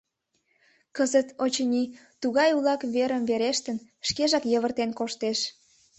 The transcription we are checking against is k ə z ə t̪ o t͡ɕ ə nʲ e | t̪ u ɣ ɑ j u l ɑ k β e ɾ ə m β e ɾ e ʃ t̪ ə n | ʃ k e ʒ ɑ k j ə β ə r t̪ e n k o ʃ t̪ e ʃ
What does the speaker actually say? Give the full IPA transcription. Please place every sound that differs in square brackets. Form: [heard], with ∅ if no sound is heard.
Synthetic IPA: k ə z ə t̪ o t͡ɕ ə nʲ [i] | t̪ u ɣ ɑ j u l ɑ k β e ɾ ə m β e ɾ e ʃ t̪ ə n | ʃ k e ʒ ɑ k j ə β ə r t̪ e n k o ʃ t̪ e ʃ